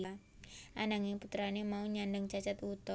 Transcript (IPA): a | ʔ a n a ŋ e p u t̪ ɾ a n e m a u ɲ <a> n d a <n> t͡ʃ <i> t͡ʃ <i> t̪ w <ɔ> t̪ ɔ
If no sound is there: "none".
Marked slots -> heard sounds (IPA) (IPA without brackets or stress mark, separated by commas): a, ŋ, a, a, u